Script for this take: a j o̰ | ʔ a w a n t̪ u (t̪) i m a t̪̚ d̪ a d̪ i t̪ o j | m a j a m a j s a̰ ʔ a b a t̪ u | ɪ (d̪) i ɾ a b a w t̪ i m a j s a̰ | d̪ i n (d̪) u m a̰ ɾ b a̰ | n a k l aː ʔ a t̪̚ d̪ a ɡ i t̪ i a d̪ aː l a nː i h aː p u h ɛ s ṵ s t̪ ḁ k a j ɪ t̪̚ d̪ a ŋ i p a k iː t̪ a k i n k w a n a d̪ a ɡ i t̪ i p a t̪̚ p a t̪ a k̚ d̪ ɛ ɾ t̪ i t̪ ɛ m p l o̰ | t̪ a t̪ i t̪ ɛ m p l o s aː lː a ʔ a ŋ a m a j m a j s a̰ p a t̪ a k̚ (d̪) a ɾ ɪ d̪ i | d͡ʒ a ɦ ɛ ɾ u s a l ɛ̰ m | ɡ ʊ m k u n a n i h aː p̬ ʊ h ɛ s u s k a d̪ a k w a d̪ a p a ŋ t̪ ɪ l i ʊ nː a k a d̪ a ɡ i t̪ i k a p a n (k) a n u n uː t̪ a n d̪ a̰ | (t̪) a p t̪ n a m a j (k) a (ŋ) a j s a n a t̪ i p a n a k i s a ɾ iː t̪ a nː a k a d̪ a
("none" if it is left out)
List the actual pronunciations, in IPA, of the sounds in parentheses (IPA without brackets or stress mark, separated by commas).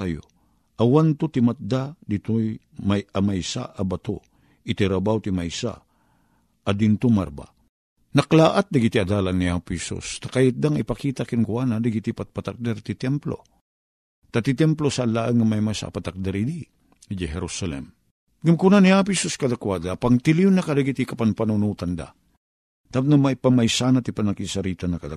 t̪, t̪, t̪, d̪, p, t̪, p, m